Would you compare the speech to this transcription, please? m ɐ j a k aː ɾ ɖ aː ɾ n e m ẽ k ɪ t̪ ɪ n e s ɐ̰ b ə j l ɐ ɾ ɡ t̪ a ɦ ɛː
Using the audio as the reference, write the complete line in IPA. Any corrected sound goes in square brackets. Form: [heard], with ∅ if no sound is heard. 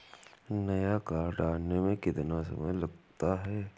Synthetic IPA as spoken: [n] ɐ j a k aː ɾ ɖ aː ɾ n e m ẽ k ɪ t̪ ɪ n [a] s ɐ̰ [m] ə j l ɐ [∅] ɡ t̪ a ɦ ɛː